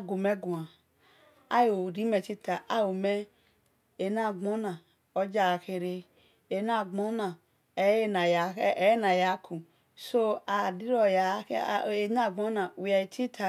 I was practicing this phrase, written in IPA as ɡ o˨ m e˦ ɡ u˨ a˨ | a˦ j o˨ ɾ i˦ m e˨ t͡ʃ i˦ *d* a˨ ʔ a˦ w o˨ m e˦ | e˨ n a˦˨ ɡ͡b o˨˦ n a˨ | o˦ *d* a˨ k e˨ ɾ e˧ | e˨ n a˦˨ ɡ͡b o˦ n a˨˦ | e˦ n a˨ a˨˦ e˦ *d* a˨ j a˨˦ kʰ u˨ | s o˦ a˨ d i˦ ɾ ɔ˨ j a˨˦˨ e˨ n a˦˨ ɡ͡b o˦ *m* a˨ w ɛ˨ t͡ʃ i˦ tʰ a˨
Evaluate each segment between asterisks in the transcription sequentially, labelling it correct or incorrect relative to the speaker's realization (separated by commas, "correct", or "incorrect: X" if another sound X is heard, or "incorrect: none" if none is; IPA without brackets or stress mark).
incorrect: t, incorrect: d͡ʒ, incorrect: n, incorrect: n